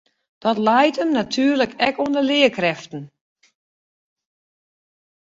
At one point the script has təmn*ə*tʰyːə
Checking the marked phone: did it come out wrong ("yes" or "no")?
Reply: yes